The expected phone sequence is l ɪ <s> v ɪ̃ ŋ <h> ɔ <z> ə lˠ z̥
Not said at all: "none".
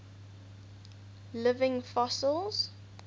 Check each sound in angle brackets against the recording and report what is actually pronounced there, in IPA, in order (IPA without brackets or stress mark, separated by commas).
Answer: none, f, s